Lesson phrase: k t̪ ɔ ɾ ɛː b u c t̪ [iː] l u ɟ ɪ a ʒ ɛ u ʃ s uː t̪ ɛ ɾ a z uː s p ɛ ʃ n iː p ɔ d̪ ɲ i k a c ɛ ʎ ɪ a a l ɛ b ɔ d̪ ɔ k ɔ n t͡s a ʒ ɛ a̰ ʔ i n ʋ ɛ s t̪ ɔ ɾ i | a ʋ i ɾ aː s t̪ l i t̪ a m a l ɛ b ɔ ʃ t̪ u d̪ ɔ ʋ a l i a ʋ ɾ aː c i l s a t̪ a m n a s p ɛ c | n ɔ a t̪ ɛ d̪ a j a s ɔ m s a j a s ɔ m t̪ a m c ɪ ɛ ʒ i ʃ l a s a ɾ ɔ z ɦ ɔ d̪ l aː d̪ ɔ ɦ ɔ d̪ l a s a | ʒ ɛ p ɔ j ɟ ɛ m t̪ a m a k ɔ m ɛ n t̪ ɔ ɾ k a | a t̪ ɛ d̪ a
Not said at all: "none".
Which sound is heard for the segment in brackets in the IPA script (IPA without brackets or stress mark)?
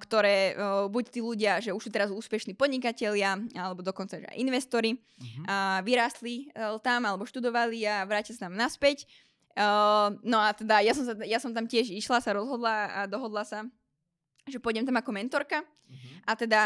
iː